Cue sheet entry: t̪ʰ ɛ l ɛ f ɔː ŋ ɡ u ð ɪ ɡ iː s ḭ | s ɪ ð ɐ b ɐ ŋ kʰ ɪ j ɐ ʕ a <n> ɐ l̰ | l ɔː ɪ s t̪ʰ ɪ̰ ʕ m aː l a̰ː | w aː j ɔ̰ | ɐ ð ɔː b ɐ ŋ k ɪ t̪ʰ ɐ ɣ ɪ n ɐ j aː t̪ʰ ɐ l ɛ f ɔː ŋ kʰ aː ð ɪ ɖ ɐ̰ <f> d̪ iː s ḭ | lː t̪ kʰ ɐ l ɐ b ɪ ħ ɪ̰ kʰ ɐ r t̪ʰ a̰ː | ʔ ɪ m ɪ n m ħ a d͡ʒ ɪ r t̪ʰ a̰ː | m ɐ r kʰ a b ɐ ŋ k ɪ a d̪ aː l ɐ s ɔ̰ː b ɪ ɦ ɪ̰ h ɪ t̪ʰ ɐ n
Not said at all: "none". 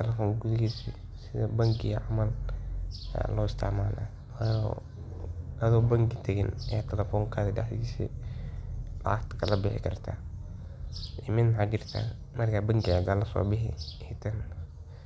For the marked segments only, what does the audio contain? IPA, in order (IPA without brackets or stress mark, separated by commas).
m, ħ